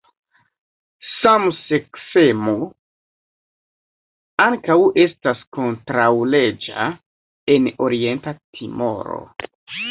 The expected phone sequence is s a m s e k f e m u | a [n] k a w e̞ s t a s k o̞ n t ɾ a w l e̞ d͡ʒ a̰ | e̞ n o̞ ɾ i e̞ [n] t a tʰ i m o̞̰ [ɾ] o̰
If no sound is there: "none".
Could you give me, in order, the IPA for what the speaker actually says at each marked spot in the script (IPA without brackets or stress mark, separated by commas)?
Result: ŋ, n, ɾ